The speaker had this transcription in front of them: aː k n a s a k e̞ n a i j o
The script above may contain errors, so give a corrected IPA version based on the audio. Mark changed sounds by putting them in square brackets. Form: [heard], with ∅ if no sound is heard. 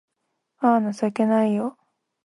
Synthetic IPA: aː [∅] n a s a k e̞ n a i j o